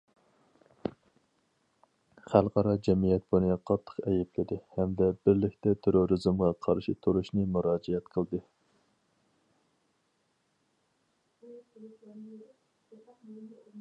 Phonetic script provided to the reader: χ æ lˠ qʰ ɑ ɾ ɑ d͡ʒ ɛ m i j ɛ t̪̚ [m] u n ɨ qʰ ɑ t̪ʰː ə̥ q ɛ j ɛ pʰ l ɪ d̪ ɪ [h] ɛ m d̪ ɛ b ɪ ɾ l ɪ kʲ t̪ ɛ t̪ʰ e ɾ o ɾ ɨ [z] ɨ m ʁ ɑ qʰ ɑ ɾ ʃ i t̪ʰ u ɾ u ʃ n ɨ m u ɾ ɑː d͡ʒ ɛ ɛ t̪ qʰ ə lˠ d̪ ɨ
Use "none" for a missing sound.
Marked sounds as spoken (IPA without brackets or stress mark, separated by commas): b, h, z